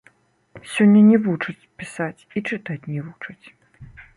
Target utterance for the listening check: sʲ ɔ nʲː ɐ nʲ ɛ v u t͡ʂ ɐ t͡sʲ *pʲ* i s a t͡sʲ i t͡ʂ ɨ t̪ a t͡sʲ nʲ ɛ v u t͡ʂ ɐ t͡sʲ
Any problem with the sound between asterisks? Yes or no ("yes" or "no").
no